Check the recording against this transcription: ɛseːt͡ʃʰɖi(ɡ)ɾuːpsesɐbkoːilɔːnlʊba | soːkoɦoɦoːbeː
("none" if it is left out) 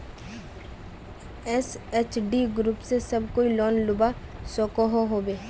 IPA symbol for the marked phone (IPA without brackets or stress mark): ɡ